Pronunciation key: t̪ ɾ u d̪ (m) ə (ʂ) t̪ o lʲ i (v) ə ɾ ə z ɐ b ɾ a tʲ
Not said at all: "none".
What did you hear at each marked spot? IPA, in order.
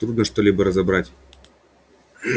n, ʂ, b

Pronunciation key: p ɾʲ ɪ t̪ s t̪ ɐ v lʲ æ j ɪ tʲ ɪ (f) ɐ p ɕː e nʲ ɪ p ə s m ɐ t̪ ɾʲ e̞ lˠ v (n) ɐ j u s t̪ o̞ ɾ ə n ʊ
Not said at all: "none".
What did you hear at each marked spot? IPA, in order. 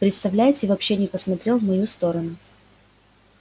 v, m

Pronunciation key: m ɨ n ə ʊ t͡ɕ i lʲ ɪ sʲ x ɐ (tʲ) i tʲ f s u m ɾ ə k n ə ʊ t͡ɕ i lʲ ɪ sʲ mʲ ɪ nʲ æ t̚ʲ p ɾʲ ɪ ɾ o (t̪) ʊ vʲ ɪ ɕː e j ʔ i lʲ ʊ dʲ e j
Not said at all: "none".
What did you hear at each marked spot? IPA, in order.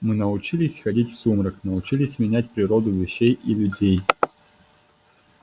dʲ, d̪

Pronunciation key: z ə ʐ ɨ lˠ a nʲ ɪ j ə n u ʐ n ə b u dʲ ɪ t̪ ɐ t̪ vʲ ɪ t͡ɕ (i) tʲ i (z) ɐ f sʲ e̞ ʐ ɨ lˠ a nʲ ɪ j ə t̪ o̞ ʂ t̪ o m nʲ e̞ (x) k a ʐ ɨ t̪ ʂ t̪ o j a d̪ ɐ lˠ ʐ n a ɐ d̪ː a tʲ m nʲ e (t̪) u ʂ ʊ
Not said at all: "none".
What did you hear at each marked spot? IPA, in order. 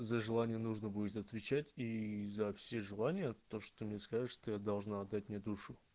æ, z, s, d̪

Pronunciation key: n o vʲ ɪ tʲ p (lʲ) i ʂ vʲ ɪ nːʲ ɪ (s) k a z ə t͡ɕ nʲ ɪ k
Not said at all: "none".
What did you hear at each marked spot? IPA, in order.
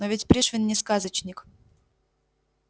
ɾʲ, s

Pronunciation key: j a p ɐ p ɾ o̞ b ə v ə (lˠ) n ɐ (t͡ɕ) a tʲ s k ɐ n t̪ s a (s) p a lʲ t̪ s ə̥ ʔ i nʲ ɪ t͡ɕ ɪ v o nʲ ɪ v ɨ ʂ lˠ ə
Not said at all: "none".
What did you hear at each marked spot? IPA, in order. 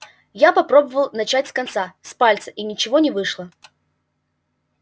lˠ, t͡ɕ, s

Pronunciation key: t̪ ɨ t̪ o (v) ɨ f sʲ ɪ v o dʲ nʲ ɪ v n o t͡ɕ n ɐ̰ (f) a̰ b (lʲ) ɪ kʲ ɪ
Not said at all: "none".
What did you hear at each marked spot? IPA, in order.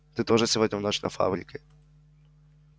ʐ, f, ɾʲ

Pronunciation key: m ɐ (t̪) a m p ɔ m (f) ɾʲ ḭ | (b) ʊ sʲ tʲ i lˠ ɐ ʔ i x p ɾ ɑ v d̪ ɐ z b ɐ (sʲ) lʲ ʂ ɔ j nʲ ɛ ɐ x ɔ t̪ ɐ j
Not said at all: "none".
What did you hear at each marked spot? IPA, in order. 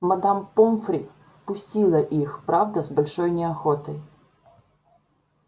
d̪, f, p, none

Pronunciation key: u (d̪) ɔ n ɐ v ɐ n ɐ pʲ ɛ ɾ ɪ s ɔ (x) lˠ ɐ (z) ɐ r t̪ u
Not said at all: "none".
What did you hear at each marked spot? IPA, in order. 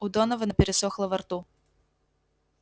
d̪, x, v

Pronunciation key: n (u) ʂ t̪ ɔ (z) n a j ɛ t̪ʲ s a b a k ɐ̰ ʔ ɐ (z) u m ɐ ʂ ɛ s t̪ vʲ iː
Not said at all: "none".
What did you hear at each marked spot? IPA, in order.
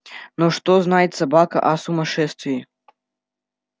ɔ, z, s

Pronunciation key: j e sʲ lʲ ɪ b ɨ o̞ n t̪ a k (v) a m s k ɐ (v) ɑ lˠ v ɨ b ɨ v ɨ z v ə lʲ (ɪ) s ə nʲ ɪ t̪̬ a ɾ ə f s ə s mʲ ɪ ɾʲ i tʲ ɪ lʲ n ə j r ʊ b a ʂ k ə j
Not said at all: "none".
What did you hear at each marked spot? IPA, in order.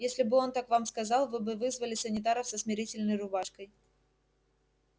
v, z, ɪ

